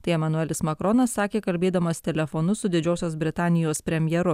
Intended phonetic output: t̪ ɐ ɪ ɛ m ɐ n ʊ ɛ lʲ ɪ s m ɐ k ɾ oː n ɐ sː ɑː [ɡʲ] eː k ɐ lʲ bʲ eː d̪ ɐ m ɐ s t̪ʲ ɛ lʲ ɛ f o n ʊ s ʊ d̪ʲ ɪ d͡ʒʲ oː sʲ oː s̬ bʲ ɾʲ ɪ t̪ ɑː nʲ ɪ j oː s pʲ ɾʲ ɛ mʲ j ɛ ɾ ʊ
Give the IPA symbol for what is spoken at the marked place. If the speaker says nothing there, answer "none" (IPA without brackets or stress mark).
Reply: kʲ